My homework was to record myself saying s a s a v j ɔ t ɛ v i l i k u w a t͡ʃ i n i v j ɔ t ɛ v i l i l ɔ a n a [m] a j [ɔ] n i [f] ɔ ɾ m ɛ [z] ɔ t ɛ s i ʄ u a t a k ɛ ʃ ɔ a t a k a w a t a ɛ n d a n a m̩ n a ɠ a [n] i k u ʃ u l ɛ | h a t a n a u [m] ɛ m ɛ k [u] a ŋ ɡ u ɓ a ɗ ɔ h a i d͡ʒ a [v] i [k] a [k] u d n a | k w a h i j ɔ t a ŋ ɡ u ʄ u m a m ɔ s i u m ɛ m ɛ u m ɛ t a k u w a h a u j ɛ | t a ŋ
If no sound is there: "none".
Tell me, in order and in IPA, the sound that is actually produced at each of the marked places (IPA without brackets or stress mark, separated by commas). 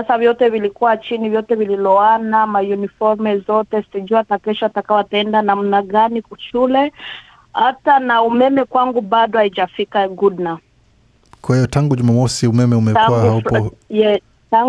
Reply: m, u, f, z, n, m, w, f, k, ɡ